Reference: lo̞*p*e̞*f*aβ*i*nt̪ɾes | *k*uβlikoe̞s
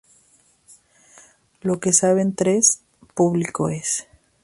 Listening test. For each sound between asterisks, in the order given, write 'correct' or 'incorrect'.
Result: incorrect: k, incorrect: s, incorrect: e, incorrect: p

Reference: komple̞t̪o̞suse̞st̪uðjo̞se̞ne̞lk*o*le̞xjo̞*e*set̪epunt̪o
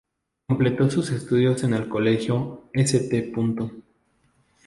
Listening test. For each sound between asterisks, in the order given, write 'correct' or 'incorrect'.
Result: correct, correct

